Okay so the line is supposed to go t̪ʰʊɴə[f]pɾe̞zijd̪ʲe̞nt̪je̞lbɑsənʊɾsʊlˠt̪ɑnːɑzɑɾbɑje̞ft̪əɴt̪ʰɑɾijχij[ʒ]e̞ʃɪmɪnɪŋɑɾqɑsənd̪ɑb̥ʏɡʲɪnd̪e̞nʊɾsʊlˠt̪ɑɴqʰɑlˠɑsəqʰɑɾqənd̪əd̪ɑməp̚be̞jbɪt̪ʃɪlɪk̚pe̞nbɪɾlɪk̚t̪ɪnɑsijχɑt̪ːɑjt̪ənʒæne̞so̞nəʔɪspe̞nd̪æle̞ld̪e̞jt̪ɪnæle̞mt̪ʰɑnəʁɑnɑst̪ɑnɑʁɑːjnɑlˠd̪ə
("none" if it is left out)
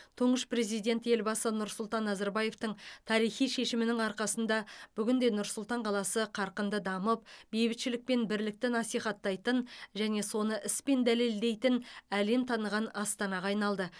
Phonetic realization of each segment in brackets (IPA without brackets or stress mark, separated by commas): ʃ, ʃ